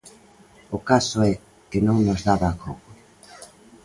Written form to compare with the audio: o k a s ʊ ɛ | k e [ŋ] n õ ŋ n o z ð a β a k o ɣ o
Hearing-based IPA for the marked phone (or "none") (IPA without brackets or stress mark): none